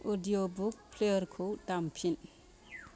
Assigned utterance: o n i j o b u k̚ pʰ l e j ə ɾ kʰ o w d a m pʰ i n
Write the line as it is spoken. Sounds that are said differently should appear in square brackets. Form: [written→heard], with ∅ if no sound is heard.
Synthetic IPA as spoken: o [n→d] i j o b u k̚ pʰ l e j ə ɾ kʰ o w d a m pʰ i n